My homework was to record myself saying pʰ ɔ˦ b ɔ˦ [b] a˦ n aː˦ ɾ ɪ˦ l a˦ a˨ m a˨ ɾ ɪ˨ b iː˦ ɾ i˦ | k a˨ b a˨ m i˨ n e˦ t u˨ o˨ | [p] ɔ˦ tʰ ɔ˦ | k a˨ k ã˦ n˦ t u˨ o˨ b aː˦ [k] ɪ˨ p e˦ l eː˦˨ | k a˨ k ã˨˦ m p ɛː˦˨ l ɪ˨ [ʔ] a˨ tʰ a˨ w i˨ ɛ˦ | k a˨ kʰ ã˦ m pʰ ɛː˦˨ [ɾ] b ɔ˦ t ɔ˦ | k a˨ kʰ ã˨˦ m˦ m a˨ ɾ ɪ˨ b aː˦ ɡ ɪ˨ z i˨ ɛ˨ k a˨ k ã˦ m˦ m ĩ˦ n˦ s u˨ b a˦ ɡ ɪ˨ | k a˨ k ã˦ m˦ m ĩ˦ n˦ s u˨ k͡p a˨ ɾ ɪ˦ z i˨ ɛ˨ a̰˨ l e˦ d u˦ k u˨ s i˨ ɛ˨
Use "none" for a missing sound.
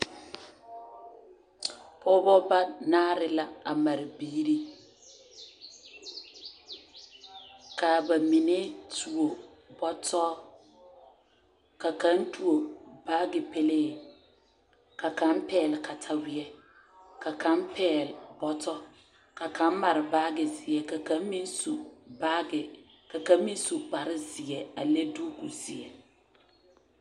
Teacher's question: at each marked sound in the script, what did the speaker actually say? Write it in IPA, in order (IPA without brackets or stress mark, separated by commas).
b, b, ɡ, k, l